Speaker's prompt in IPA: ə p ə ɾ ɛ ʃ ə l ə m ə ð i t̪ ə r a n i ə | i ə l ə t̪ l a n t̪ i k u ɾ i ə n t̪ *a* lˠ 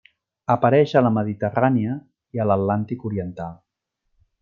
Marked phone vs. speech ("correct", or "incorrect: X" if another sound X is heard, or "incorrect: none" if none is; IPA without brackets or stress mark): correct